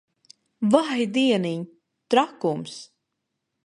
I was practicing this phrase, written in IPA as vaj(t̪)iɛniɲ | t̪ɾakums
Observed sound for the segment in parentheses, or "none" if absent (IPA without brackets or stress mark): d̪